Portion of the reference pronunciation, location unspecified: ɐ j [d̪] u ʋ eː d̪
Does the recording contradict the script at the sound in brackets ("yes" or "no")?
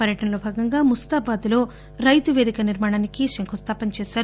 yes